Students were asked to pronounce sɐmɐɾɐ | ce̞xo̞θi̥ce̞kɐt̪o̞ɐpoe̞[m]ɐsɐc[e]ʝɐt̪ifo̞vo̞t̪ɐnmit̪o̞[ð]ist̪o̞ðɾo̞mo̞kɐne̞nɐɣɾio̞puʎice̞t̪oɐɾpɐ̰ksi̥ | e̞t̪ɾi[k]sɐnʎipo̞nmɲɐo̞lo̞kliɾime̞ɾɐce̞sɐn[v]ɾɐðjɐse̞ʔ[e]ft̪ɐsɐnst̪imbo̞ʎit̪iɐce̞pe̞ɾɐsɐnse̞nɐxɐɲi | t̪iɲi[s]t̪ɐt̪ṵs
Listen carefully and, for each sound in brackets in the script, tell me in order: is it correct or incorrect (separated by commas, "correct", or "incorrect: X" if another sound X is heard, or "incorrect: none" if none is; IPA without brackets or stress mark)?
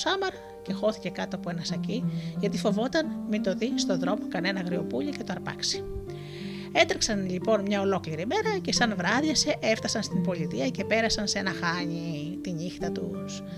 incorrect: n, incorrect: i, correct, correct, correct, correct, incorrect: x